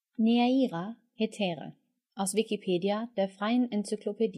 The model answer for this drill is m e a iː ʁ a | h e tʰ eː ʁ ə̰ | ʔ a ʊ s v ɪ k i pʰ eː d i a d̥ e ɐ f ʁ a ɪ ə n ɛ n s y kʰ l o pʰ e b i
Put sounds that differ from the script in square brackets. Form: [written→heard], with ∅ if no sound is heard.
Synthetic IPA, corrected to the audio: [m→n] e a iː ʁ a | h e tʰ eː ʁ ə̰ | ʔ a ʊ s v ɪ k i pʰ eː d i a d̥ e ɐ f ʁ a ɪ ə n ɛ n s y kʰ l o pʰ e [b→d] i